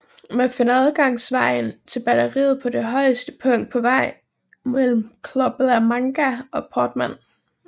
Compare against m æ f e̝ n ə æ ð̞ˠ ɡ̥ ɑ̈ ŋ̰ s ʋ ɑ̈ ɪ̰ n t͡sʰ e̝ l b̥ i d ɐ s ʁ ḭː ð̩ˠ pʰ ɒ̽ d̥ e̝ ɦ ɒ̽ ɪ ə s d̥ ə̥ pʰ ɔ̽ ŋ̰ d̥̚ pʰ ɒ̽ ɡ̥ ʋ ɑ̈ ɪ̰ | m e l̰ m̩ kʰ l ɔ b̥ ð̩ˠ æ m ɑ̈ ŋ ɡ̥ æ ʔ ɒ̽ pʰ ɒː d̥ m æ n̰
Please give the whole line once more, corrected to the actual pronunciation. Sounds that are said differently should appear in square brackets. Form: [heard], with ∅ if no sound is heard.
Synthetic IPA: m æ f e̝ n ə æ ð̞ˠ ɡ̥ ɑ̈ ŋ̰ s ʋ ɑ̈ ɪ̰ n t͡sʰ e̝ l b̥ [æ] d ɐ [∅] ʁ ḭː ð̩ˠ pʰ ɒ̽ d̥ e̝ ɦ ɒ̽ ɪ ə s d̥ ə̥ pʰ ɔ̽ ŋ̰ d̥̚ pʰ ɒ̽ [∅] ʋ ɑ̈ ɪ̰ | m e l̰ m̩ kʰ l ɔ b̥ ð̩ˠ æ m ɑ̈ ŋ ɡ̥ æ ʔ ɒ̽ pʰ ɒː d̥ m æ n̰